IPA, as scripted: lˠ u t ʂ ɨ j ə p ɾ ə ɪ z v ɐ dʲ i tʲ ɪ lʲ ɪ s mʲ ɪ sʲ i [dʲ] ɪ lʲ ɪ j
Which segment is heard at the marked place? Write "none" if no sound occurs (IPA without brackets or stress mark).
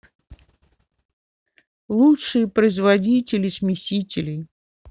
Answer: tʲ